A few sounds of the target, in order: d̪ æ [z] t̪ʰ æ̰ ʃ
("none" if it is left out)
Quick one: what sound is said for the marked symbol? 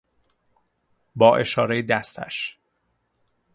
s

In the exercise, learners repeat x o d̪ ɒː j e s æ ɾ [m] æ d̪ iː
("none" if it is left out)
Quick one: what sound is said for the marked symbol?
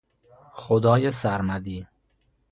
m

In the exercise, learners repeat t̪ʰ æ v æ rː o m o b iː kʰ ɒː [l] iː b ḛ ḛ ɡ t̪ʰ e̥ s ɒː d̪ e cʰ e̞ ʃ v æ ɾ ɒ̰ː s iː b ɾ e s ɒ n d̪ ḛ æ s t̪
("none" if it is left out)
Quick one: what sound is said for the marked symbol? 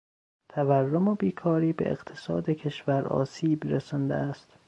ɾ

